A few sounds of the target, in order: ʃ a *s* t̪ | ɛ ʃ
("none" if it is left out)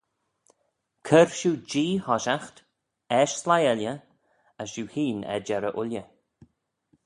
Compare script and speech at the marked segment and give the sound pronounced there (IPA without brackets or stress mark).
x